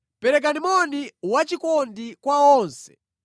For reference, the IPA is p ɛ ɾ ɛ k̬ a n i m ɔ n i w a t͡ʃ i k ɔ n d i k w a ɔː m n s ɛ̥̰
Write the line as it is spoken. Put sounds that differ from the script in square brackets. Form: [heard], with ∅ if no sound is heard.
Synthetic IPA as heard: p ɛ ɾ ɛ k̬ a n i m ɔ n i w a t͡ʃ i k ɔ n d i k w a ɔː [∅] n s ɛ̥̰